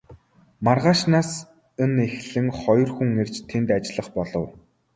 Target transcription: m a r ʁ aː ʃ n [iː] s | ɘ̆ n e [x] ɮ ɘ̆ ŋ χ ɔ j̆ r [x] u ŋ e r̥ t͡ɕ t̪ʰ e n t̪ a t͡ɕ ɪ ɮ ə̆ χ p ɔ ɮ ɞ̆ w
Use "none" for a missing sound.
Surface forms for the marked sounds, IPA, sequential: aː, x, x

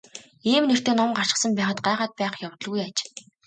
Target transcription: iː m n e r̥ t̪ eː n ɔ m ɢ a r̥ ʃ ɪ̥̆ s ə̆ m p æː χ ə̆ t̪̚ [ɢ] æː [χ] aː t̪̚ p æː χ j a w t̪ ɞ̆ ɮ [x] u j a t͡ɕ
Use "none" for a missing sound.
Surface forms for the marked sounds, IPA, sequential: ɢ, ʁ, ɣ

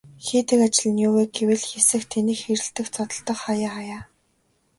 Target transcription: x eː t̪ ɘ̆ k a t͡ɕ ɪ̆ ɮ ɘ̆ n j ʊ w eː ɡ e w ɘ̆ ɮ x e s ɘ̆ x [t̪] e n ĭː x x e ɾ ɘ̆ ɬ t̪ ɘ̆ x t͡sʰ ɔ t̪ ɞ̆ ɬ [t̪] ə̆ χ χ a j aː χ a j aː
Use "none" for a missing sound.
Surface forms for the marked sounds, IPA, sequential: t̪ʰ, t̪

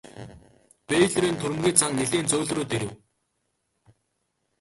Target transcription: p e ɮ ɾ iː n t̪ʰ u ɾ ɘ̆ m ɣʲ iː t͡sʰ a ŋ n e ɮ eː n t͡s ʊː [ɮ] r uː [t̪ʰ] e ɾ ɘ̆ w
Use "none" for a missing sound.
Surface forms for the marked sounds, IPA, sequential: ɮ, t̪

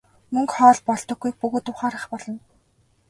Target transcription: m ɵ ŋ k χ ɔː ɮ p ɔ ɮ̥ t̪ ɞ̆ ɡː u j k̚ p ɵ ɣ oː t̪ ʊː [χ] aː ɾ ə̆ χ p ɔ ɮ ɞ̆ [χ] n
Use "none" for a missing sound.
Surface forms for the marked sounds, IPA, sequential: χ, none

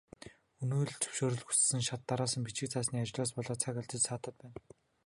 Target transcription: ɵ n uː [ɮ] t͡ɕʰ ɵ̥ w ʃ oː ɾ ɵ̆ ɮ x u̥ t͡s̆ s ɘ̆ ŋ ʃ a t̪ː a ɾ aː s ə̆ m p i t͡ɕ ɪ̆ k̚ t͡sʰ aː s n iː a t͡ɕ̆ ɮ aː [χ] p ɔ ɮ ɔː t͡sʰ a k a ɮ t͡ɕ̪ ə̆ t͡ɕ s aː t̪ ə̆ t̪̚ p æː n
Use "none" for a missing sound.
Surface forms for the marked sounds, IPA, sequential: ɮ, s

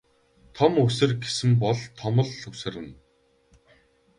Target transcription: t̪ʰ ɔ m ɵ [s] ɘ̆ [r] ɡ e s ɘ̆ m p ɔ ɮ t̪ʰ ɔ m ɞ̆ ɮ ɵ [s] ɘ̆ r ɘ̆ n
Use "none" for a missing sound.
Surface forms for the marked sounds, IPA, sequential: s, r, s

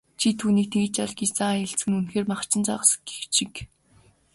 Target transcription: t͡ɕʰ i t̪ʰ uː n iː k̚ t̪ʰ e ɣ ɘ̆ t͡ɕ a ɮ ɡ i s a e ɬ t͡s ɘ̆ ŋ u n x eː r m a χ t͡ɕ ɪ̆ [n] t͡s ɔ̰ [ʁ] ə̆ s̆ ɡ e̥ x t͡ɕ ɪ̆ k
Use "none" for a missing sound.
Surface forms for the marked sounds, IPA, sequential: n, ʁ

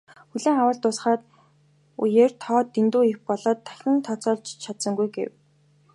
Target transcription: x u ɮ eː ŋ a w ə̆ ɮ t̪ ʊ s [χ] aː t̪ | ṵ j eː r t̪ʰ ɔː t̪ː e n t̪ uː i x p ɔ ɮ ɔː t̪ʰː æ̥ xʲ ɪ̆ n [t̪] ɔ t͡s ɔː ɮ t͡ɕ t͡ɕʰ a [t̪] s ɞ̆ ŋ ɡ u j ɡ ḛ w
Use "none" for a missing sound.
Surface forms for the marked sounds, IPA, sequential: χ, t̪ʰ, t̪

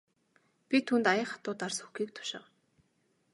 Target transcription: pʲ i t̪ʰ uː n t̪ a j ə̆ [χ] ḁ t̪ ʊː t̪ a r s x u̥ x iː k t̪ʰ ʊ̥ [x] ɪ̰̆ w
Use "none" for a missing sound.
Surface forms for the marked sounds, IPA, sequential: χ, ʃ

